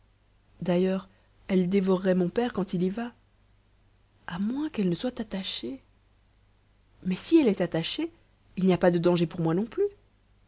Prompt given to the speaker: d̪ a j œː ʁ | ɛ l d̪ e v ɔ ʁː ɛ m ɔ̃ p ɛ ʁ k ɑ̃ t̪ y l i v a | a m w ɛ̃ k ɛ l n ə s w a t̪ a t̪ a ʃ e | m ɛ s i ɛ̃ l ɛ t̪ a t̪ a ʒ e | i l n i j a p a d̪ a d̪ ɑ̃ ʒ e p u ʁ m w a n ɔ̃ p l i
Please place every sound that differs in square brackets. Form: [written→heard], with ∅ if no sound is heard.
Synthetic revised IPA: d̪ a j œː ʁ | ɛ l d̪ e v ɔ ʁː ɛ m ɔ̃ p ɛ ʁ k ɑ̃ t̪ [y→i] l i v a | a m w ɛ̃ k ɛ l n ə s w a t̪ a t̪ a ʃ e | m ɛ s i [ɛ̃→ɛ] l ɛ t̪ a t̪ a [ʒ→ʃ] e | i l n i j a p a d̪ [a→ə] d̪ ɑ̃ ʒ e p u ʁ m w a n ɔ̃ p l [i→y]